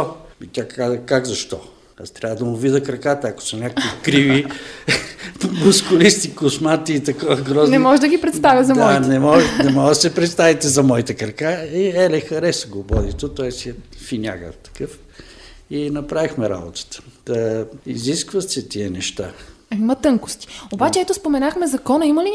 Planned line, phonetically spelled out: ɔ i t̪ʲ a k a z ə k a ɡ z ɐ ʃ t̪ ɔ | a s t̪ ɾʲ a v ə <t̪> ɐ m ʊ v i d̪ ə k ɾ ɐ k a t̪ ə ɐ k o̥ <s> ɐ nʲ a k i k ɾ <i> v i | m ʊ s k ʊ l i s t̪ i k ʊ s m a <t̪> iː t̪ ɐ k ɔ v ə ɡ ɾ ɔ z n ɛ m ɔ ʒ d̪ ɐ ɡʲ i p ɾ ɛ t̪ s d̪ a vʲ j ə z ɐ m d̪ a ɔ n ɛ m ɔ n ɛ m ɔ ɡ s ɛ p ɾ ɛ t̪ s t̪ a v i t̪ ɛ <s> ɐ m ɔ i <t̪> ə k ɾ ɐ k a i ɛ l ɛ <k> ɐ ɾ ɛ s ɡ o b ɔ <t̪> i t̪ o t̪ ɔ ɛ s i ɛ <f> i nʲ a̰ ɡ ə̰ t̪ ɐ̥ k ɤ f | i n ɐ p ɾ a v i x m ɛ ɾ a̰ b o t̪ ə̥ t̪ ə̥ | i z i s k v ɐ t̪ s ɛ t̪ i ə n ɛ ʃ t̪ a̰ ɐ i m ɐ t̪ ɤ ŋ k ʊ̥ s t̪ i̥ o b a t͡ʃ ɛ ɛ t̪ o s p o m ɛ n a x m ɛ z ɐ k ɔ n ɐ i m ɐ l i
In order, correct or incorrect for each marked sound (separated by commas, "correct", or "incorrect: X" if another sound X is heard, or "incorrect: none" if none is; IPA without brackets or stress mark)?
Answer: incorrect: d̪, correct, correct, correct, incorrect: z, correct, incorrect: x, incorrect: d̪, correct